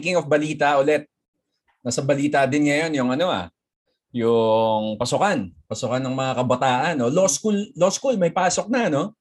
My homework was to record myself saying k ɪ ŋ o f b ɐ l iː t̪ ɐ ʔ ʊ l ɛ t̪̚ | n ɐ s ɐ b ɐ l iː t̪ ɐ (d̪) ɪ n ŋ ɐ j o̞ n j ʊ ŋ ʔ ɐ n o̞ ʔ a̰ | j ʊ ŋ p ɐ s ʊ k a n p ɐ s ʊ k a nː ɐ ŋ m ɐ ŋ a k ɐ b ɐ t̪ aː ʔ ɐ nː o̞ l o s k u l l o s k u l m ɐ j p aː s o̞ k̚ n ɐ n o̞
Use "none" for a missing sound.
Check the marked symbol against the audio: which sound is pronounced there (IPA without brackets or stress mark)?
d̪